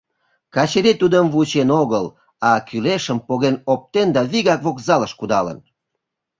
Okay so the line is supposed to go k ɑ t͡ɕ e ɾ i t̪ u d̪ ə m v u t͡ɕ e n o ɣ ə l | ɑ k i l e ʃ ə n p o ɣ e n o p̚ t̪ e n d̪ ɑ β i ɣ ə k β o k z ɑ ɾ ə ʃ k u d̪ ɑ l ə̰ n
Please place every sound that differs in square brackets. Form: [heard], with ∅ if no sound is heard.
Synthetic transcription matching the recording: k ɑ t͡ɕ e ɾ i t̪ u d̪ ə m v u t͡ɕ e n o ɣ ə l | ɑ k [y] l e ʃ ə [m] p o ɣ e n o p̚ t̪ e n d̪ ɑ β i ɣ [ɑ] k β o k z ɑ [l] ə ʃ k u d̪ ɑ l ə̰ n